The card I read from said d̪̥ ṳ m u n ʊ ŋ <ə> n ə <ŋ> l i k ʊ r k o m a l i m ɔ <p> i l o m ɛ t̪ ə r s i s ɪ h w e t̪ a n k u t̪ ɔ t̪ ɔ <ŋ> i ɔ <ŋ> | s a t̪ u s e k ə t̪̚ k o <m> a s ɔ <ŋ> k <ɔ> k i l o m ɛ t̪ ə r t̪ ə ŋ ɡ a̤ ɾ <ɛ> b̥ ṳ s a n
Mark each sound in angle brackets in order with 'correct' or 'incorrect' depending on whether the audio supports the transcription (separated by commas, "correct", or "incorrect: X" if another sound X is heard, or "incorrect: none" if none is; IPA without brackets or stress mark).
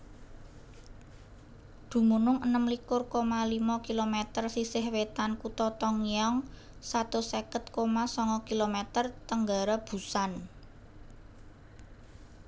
correct, incorrect: m, incorrect: k, correct, correct, correct, correct, correct, incorrect: a